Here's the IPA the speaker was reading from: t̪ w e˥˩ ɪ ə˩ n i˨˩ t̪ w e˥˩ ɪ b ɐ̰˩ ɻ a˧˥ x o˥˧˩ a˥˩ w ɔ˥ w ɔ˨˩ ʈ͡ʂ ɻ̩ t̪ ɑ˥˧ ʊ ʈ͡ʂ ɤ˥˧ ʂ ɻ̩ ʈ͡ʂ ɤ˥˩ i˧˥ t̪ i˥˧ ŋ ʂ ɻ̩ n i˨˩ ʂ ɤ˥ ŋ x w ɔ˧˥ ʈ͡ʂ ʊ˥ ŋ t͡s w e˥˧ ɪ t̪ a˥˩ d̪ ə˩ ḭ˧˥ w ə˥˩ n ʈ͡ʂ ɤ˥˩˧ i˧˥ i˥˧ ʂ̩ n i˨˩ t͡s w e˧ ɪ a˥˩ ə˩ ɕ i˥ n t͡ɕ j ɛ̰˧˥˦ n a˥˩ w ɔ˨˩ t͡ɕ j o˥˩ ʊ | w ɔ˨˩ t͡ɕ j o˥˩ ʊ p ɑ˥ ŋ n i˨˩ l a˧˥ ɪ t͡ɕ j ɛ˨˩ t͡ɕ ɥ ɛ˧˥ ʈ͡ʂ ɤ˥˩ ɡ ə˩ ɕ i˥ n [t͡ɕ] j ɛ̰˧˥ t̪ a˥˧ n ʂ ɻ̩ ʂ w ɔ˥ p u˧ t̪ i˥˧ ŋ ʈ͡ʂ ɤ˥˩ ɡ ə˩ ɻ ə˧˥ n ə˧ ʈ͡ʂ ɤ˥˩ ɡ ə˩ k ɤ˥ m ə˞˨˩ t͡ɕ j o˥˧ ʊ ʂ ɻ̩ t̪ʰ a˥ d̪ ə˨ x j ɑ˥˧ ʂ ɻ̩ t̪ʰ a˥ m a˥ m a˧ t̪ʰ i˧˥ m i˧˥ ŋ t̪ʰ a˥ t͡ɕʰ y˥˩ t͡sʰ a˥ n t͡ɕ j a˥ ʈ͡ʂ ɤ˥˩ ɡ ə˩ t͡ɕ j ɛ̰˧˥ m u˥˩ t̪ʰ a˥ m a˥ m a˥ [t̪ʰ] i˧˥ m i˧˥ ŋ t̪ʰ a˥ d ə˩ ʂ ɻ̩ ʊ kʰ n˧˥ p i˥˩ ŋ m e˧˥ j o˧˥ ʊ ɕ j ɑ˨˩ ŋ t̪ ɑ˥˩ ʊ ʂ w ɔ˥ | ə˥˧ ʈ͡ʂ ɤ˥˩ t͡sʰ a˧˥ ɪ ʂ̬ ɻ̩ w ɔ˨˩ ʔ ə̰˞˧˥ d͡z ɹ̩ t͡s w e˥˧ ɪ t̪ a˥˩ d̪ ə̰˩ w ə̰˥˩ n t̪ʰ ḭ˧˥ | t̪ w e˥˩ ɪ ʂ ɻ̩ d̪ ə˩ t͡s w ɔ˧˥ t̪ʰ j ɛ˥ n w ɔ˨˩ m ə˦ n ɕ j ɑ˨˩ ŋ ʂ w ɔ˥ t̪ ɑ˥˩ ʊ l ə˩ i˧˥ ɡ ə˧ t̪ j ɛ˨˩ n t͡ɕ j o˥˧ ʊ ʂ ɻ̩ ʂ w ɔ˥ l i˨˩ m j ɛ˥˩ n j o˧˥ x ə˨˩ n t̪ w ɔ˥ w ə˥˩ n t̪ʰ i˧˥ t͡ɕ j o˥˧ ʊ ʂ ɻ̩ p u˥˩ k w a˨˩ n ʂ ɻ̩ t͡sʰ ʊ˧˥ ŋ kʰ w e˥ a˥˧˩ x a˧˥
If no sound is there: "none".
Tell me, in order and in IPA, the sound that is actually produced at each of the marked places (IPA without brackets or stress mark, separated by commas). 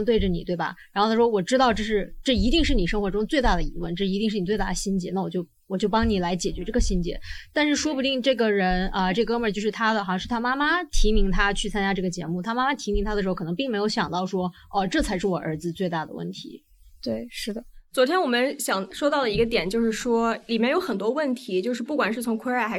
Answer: t͡ɕ, t̪ʰ